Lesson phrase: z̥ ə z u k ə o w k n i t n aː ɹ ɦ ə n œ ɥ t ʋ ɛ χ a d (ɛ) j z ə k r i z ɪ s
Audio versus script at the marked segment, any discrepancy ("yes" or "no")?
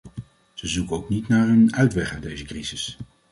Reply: yes